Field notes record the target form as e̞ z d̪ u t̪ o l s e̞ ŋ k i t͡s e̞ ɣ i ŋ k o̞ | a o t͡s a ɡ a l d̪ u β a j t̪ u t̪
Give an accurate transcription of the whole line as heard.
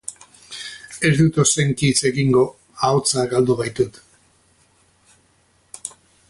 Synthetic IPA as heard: e̞ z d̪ u t̪ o s e̞ ŋ k i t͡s e̞ ɣ i ŋ ɡ o̞ | a o t͡s a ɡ a l d̪ u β a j t̪ u t̪